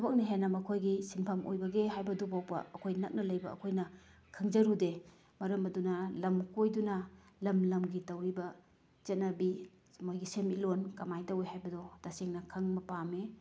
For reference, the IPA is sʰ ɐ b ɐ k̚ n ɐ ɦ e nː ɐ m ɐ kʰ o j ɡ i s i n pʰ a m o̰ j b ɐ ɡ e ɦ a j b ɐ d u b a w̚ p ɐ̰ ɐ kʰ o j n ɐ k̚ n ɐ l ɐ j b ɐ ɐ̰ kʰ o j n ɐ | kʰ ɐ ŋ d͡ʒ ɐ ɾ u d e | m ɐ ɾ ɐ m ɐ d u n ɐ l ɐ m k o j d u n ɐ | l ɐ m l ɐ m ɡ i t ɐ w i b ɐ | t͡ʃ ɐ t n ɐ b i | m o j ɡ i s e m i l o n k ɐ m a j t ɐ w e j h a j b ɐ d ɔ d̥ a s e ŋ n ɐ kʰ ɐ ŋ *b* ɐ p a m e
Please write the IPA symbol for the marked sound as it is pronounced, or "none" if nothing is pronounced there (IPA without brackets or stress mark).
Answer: m